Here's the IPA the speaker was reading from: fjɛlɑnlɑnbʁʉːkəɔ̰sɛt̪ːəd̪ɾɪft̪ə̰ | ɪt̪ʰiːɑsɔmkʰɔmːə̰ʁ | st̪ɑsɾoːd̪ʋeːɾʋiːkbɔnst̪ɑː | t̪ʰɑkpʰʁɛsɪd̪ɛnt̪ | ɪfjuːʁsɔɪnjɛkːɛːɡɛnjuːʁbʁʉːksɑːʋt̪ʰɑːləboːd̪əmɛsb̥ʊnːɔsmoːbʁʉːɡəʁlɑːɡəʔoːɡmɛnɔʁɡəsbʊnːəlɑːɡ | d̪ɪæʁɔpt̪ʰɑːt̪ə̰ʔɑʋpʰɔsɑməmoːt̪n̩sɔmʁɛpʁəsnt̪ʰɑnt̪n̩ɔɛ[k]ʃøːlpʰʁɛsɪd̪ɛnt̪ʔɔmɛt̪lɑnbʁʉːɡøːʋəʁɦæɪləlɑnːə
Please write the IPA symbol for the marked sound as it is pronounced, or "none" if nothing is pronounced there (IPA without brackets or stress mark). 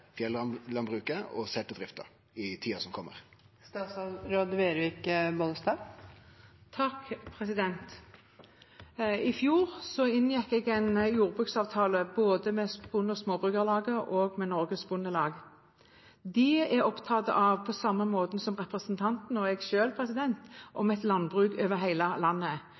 ɡ